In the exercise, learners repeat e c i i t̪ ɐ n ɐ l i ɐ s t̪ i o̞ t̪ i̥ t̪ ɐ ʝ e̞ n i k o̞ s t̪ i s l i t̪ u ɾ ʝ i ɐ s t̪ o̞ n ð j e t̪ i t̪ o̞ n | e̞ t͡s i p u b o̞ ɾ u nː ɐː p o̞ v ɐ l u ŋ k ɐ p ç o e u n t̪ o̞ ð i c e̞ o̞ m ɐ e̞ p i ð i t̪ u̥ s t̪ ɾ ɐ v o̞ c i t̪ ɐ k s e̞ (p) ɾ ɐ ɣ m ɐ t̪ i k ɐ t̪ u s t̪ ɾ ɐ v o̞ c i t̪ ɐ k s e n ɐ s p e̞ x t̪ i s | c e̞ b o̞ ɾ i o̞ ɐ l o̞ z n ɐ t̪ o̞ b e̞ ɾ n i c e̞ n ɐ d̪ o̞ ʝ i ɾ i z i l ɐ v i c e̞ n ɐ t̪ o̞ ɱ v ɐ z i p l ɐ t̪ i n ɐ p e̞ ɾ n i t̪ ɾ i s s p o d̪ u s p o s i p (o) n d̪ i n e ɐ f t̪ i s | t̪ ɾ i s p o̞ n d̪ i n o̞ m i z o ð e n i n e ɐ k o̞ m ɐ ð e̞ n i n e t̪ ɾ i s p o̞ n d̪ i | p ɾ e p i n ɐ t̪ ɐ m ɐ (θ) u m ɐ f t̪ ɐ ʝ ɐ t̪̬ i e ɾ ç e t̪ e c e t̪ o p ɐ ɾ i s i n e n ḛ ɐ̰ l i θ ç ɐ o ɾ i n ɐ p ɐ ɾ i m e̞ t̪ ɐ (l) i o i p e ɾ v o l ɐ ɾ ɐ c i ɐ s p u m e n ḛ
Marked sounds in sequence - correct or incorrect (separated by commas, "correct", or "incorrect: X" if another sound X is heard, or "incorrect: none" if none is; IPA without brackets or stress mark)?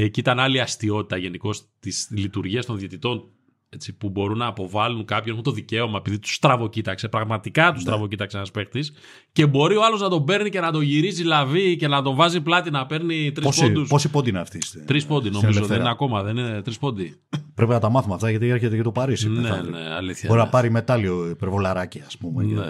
correct, correct, correct, correct